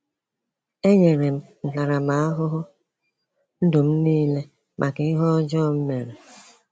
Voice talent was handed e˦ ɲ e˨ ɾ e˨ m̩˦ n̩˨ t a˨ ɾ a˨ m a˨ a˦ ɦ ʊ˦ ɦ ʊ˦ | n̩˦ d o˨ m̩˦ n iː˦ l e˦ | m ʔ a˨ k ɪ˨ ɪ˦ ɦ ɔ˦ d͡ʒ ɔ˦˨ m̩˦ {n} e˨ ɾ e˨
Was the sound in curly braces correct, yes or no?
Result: no